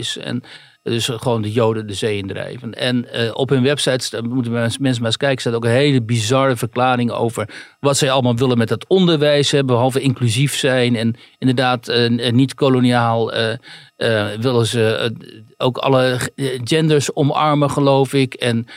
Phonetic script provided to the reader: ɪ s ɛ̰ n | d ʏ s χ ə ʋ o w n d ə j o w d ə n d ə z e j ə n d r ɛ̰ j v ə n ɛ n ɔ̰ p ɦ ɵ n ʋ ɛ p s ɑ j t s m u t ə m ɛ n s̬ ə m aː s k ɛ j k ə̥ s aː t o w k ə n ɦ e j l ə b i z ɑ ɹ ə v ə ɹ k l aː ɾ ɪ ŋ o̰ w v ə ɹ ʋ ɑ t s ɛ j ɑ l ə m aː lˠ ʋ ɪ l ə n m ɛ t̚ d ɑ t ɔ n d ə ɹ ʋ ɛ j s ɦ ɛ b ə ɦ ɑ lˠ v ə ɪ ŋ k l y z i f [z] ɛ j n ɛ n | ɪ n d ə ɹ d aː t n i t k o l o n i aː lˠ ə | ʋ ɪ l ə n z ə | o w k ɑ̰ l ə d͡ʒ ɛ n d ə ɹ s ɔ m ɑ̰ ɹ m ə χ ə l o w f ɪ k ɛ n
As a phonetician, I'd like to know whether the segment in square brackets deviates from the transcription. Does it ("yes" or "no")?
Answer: yes